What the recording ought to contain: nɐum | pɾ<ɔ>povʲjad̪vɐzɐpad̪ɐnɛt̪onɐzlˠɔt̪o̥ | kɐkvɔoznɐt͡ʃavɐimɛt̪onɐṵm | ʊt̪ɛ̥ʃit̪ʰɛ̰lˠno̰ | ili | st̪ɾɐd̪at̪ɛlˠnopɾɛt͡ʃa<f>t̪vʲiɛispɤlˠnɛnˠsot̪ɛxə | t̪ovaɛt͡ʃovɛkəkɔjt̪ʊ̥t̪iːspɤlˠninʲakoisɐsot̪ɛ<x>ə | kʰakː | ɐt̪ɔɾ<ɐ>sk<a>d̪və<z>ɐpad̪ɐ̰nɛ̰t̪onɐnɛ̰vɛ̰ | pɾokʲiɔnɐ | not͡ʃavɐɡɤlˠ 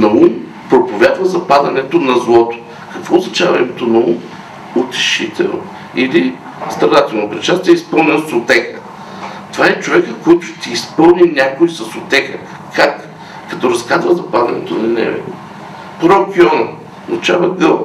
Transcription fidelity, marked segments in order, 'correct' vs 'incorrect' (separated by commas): incorrect, incorrect, correct, correct, correct, correct